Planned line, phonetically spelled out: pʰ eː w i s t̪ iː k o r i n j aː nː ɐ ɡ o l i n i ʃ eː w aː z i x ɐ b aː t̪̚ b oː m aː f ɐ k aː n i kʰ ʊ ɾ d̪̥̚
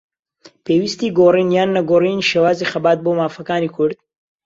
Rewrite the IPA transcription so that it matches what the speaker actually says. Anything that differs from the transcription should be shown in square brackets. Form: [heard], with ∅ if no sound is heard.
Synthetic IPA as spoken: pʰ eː w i s t̪ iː [ɡ] o r i n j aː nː ɐ ɡ o [r] i n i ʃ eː w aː z i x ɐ b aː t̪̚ b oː m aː f ɐ k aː n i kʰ ʊ ɾ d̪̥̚